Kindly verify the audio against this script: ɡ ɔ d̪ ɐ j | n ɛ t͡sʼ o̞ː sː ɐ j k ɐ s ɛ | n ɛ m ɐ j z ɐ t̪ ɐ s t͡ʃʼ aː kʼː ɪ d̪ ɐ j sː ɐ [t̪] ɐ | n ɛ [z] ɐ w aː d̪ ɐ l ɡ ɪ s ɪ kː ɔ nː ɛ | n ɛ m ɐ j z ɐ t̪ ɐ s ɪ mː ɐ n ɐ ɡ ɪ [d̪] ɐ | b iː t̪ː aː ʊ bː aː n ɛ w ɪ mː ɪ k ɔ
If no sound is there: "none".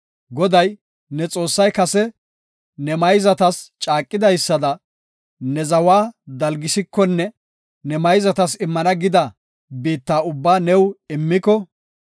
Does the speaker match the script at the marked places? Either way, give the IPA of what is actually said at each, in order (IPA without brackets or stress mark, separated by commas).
d̪, z, d̪